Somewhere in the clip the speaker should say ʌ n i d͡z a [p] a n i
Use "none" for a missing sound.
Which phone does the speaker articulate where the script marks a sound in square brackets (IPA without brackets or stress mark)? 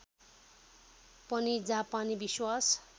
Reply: p